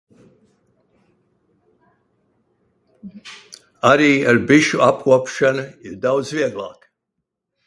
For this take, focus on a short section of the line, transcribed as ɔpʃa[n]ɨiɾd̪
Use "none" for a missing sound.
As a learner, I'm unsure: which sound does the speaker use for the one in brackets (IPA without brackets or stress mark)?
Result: n